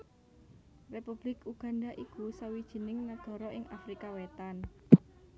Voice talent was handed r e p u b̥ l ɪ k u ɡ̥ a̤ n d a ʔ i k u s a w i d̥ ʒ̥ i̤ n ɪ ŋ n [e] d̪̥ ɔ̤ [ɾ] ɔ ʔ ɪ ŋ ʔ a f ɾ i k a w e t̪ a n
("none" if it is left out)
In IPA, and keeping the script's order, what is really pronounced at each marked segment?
a, ɾ

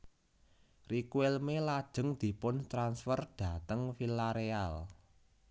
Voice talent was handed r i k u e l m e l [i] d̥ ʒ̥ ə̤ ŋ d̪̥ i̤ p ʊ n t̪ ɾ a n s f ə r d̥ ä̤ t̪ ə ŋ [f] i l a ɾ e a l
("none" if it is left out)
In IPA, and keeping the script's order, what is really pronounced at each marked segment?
a, f

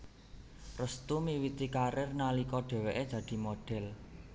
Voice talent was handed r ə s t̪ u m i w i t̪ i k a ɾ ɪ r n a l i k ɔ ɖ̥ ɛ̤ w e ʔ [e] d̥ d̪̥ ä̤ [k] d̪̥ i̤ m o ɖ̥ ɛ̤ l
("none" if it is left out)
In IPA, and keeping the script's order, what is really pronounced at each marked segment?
e, none

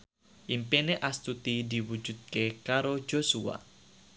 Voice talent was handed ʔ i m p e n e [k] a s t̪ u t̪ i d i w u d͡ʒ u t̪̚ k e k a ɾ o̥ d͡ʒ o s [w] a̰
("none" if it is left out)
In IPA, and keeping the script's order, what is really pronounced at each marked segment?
ʔ, u

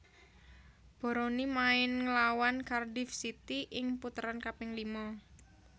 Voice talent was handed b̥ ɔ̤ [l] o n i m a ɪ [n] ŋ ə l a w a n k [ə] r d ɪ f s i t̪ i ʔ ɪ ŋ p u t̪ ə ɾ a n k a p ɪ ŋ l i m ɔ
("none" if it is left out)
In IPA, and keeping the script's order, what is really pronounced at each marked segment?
ɾ, n, a

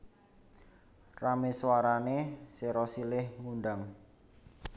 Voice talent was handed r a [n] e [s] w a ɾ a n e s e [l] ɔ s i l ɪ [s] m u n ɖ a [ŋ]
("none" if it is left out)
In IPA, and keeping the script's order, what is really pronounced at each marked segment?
m, s, ɾ, h, ŋ

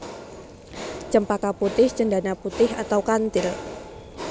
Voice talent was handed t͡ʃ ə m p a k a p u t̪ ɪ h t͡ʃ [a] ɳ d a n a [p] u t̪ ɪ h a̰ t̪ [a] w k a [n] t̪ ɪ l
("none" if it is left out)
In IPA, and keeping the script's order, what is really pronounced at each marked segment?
ə, p, a, n

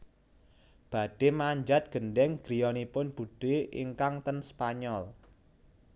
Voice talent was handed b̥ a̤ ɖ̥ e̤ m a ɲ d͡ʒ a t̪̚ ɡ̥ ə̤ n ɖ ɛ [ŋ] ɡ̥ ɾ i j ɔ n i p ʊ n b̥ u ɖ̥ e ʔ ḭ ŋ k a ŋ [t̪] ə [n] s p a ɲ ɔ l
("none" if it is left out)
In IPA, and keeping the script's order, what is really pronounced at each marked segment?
ŋ, t̪, n

